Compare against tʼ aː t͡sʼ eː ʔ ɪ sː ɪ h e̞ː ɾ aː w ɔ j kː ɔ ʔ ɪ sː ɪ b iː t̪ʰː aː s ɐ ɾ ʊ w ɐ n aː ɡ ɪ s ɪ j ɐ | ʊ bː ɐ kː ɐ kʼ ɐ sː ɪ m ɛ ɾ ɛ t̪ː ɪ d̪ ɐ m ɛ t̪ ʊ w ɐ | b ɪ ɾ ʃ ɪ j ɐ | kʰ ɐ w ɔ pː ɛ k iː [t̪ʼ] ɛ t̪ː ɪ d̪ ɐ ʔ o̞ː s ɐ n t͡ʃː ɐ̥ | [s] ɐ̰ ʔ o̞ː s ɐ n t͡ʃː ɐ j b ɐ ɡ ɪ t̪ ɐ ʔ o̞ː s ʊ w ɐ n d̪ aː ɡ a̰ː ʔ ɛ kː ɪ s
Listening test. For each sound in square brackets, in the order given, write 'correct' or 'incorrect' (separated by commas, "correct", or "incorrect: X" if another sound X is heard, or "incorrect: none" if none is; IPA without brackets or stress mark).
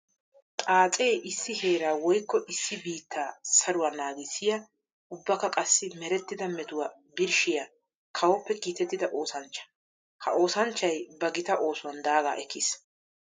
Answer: incorrect: t̪, incorrect: h